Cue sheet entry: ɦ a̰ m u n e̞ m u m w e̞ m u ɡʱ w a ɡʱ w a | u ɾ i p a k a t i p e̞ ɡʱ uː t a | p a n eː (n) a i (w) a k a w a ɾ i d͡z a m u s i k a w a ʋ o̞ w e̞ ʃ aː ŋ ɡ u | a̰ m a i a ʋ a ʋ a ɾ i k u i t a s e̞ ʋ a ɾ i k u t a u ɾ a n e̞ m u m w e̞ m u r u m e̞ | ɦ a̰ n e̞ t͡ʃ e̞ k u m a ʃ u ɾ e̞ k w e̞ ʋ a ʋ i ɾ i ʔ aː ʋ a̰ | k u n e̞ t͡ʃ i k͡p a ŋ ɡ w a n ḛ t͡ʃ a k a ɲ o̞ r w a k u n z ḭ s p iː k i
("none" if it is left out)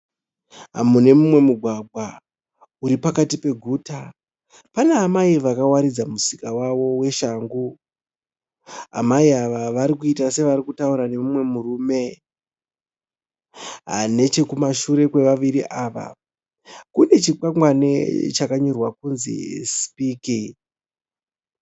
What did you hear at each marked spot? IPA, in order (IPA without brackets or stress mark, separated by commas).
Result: m, ʋ